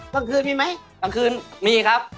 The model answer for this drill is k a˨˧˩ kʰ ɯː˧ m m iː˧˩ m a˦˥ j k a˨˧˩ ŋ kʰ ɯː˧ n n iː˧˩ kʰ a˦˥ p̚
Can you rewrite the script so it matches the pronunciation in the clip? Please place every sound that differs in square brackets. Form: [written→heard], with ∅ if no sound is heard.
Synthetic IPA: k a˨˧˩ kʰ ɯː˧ [m→n] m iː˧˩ m a˦˥ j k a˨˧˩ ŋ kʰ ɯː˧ n [n→m] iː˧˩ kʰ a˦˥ p̚